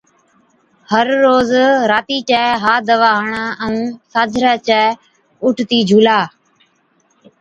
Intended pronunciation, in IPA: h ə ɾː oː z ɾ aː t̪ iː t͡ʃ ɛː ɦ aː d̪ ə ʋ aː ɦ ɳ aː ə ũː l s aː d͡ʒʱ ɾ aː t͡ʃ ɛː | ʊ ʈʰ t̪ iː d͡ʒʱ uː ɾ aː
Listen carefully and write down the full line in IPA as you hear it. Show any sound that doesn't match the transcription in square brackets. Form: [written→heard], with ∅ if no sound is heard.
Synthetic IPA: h ə ɾː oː z ɾ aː t̪ iː t͡ʃ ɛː ɦ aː d̪ ə ʋ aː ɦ ɳ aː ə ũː [l→∅] s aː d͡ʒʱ ɾ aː t͡ʃ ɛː | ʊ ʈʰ t̪ iː d͡ʒʱ uː [ɾ→l] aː

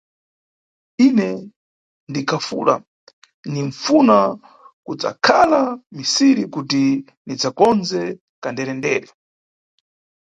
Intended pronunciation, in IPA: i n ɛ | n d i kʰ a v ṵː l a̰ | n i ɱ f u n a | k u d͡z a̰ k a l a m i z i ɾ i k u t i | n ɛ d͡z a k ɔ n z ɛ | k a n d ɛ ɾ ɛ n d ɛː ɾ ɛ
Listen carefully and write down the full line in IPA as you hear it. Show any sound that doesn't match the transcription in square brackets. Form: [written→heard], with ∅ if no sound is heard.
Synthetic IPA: i n ɛ | n d i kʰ a [v→f] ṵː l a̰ | n i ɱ f u n a | k u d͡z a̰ [k→kʰ] a l a m i [z→s] i ɾ i k u t i | n [ɛ→i] d͡z a k ɔ n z ɛ | k a n d ɛ ɾ ɛ n d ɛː ɾ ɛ

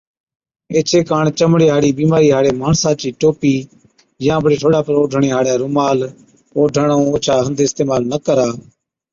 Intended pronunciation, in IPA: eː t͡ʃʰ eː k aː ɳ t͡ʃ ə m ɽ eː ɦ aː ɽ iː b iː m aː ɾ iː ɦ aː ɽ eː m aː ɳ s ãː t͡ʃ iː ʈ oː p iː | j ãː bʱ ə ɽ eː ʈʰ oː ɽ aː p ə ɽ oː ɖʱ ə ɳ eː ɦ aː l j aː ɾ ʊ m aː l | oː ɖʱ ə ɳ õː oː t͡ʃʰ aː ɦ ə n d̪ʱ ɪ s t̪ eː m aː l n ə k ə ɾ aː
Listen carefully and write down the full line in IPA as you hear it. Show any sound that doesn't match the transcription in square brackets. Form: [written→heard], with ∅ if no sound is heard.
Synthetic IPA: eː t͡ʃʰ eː k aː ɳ t͡ʃ ə m ɽ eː ɦ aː ɽ iː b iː m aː ɾ iː ɦ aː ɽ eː m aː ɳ s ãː t͡ʃ iː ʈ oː p iː | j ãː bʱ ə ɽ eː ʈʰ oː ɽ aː p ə [ɽ→ɾ] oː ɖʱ ə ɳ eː ɦ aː [l→ɽ] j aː ɾ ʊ m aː l | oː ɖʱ ə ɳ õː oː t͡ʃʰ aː ɦ ə n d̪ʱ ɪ s t̪ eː m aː l n ə k ə ɾ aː

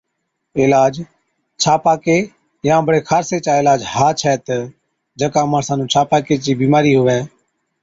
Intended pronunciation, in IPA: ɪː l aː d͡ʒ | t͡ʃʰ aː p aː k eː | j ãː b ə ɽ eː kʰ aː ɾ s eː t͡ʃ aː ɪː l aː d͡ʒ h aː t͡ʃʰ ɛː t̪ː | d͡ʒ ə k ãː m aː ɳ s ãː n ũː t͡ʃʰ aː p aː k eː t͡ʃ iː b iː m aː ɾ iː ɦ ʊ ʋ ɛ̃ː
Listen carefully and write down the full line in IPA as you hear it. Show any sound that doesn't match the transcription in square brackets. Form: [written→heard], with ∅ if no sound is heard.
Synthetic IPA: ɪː l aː d͡ʒ | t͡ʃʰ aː p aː k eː | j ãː b ə ɽ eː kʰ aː ɾ s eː t͡ʃ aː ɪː l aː d͡ʒ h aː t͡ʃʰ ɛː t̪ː | d͡ʒ ə k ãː m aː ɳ s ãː n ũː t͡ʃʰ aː p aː k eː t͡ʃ iː b iː m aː ɾ iː ɦ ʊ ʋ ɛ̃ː

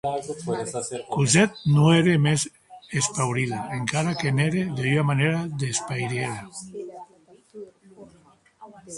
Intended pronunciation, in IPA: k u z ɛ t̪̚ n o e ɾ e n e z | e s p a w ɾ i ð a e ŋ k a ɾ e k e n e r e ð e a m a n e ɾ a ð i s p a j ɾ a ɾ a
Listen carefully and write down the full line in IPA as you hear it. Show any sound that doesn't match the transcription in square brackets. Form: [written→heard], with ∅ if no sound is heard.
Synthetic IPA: k u z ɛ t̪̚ n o e ɾ e [n→m] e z | e s p a w ɾ i ð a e ŋ k a ɾ [e→a] k e n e [r→ɾ] e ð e a m a n e ɾ a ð [i→e] s p a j ɾ [a→e] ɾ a

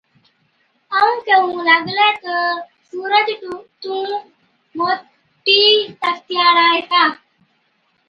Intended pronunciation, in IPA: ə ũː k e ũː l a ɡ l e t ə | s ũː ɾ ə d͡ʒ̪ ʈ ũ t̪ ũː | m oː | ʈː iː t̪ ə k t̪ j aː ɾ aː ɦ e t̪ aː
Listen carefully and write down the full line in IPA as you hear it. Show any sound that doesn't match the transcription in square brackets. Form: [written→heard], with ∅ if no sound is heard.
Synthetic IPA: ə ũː k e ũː l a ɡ l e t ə | s [ũː→uː] ɾ ə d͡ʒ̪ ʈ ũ t̪ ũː | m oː | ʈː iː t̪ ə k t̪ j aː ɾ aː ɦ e t̪ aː

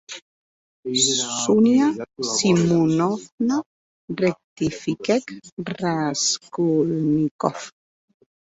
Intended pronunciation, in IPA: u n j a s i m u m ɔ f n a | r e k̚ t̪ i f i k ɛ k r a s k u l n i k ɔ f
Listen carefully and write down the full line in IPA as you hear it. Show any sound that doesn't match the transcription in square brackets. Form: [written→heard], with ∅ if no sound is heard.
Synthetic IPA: u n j a s i m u [m→n] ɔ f n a | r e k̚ t̪ i f i k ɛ k r a s k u l n i k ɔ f

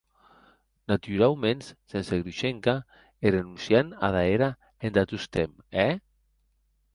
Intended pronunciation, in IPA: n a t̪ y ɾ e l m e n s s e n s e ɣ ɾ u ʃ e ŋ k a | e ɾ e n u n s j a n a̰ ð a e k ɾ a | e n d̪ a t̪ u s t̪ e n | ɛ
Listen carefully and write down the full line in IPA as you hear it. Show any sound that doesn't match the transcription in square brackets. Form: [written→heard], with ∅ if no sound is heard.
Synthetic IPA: n a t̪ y ɾ [e→a] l m e n s s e n s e ɣ ɾ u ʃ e ŋ k a | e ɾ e n u n s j a n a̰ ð a e [k→∅] ɾ a | e n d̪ a t̪ u s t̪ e [n→m] | ɛ

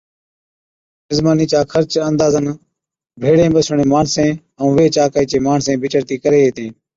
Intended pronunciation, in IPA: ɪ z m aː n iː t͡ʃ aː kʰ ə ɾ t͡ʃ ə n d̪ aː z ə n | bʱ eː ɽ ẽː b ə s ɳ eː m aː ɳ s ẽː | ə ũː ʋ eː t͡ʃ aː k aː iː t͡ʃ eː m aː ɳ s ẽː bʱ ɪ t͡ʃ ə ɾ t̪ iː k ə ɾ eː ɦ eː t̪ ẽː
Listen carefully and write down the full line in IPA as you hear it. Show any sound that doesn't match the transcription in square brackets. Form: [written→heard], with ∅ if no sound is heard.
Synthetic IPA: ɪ z m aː n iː t͡ʃ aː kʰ ə ɾ t͡ʃ ə n d̪ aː z ə n | bʱ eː ɽ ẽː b ə s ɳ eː m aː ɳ s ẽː | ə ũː ʋ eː t͡ʃ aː k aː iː t͡ʃ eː m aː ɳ s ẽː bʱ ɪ t͡ʃ ə ɾ t̪ iː k ə ɾ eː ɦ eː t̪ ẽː

